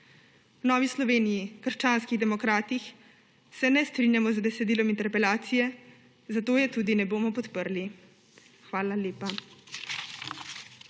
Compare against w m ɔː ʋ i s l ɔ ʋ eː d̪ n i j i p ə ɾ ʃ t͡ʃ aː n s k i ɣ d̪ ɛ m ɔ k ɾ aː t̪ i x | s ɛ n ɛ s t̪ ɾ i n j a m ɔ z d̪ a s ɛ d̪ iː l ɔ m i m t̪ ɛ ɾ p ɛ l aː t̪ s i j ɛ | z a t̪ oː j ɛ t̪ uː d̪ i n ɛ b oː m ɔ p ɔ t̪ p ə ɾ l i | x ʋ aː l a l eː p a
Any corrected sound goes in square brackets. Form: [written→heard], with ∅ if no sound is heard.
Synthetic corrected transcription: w [m→n] ɔː ʋ i s l ɔ ʋ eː [d̪→∅] n i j i [p→k] ə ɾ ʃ t͡ʃ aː n s k i ɣ d̪ ɛ m ɔ k ɾ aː t̪ i x | s ɛ n ɛ s t̪ ɾ i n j a m ɔ z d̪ [a→ɛ] s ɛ d̪ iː l ɔ m i [m→n] t̪ ɛ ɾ p ɛ l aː t̪ s i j ɛ | z a t̪ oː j ɛ t̪ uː d̪ i n ɛ b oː m ɔ p ɔ t̪ p ə ɾ l i | x ʋ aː l a l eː p a